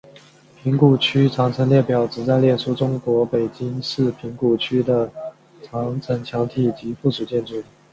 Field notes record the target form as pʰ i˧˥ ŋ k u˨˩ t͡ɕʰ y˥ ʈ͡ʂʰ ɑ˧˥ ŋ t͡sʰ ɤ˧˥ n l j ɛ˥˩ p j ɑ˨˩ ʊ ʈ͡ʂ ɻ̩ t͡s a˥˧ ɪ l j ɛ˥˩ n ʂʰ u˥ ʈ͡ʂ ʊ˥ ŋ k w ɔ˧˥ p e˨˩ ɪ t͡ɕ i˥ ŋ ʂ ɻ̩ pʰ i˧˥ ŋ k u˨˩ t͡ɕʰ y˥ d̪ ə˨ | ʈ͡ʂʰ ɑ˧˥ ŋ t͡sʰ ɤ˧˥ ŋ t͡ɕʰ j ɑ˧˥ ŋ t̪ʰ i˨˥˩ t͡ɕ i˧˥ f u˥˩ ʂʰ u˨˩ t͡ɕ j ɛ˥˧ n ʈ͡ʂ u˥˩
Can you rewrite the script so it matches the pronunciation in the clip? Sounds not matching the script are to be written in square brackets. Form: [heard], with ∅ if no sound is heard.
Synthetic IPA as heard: pʰ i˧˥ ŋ k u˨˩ t͡ɕʰ y˥ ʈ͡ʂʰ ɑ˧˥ ŋ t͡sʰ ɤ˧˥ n l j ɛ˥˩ p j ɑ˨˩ ʊ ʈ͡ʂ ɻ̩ t͡s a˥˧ ɪ l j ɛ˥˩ n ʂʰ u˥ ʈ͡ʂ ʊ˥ ŋ k w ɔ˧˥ p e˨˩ ɪ t͡ɕ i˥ ŋ ʂ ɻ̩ pʰ i˧˥ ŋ k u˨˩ t͡ɕʰ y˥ d̪ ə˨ | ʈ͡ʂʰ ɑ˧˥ ŋ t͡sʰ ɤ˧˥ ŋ t͡ɕʰ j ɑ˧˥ ŋ t̪ʰ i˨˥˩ t͡ɕ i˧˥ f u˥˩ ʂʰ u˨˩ t͡ɕ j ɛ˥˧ n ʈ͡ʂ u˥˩